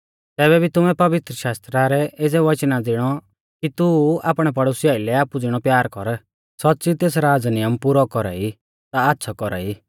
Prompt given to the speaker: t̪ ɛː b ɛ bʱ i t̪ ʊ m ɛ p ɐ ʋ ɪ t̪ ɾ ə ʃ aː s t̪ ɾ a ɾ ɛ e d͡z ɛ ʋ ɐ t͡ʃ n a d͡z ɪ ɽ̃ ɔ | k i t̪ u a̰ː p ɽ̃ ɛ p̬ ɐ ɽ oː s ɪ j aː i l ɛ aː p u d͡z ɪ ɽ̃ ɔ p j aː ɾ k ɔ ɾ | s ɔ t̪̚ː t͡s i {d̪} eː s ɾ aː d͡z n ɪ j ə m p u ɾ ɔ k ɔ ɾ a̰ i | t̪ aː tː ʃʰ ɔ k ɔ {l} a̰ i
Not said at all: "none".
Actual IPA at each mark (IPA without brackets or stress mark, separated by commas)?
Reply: t̪, ɾ